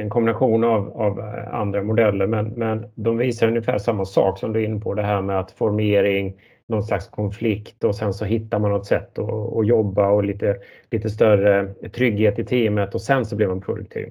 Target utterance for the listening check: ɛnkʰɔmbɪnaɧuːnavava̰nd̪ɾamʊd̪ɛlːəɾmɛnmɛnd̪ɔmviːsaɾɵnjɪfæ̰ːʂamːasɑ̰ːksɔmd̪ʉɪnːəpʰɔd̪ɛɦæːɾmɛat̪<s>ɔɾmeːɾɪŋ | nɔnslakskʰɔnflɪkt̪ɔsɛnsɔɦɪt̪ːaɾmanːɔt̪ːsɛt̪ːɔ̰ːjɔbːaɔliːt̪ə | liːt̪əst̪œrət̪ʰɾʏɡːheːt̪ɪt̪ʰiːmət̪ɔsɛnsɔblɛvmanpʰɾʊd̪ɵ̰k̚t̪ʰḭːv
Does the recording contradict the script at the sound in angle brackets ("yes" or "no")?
yes